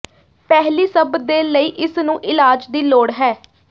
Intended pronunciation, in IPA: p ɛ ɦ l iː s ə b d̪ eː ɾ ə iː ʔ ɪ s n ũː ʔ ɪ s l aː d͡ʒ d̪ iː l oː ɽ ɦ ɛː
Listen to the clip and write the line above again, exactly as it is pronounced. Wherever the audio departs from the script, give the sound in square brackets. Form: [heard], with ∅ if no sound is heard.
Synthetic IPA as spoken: p ɛ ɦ l iː s ə b d̪ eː [l] ə iː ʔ ɪ s n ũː ʔ ɪ [∅] l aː d͡ʒ d̪ iː l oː ɽ ɦ ɛː